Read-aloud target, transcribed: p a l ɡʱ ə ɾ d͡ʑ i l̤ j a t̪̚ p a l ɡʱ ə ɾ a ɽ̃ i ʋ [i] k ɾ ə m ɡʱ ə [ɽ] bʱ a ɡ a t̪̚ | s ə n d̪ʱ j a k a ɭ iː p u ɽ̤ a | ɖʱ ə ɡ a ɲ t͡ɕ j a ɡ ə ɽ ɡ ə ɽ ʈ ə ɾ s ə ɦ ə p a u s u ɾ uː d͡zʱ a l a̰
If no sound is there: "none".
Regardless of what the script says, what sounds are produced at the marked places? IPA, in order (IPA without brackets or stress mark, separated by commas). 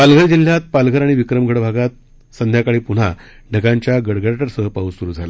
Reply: i, ɽ